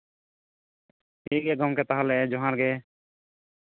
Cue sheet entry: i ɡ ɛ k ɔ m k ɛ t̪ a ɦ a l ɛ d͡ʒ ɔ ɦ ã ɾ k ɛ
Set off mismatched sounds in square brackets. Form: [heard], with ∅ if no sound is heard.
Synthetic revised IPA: i ɡ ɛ [ɡ] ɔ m k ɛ t̪ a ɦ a l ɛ d͡ʒ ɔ ɦ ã ɾ [ɡ] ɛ

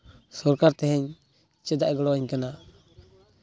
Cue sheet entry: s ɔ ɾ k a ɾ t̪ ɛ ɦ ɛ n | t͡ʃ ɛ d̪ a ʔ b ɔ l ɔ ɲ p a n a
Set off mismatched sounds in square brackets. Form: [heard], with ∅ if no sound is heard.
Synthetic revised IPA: s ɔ ɾ k a ɾ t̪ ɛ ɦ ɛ [ɲ] | t͡ʃ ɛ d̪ a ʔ [ɡ] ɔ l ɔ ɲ [k] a n a

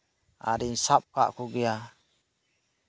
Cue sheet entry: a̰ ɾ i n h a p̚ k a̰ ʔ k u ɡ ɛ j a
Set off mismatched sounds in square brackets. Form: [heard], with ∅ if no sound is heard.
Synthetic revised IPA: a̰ ɾ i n [s] a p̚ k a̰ ʔ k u ɡ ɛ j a

